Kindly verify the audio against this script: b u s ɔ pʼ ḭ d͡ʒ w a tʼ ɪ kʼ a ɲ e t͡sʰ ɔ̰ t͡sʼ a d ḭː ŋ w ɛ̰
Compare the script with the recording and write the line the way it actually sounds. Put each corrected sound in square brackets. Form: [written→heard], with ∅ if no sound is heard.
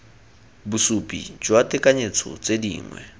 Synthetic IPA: b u s [ɔ→u] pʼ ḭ d͡ʒ w a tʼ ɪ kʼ a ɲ e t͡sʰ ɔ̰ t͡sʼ [a→e] d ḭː ŋ w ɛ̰